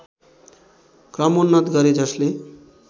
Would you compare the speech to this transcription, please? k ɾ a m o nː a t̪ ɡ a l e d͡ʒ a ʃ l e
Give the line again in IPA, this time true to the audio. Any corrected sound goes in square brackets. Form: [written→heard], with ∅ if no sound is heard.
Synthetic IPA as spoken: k ɾ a m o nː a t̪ ɡ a [l→ɾ] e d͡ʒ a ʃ l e